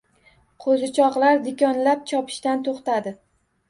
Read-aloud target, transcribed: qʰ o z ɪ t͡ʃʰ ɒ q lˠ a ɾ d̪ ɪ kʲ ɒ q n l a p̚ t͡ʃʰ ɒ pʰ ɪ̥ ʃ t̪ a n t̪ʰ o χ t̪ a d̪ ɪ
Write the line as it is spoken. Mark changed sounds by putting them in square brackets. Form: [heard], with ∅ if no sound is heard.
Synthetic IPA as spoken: qʰ o z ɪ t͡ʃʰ ɒ q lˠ a ɾ d̪ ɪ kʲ ɒ [∅] n l a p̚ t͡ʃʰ ɒ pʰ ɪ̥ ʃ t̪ a n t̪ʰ o χ t̪ a d̪ ɪ